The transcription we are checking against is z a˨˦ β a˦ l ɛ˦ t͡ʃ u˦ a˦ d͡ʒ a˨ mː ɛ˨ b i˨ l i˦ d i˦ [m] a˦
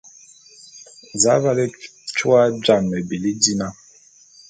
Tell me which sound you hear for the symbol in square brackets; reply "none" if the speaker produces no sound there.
n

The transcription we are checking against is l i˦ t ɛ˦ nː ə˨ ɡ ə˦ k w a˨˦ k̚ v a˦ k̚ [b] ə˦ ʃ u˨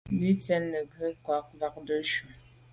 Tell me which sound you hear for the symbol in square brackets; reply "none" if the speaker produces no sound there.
d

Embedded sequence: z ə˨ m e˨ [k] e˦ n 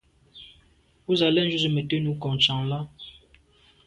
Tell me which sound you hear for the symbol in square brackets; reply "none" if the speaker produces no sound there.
t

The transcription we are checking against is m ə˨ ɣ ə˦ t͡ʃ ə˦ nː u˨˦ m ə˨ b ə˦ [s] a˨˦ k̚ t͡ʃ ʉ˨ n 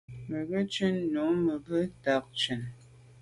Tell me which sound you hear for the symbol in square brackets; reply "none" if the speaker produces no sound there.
t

